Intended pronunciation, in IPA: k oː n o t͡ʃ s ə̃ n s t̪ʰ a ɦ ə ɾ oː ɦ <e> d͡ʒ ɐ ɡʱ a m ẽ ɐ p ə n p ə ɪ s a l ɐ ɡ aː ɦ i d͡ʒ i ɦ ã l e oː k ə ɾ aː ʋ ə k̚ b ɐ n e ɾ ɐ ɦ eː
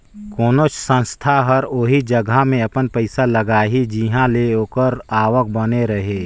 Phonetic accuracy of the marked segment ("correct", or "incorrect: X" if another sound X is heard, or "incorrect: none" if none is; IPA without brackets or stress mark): incorrect: i